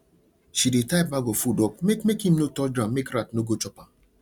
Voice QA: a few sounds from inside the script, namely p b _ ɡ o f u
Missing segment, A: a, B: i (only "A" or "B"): A